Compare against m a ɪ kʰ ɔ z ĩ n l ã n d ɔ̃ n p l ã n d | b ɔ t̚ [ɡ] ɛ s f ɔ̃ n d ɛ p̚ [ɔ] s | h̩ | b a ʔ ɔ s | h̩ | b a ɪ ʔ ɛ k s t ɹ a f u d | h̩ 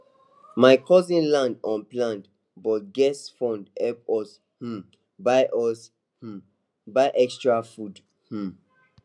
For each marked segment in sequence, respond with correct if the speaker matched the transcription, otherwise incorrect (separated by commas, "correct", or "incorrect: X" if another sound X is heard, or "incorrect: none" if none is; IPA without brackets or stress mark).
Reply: correct, correct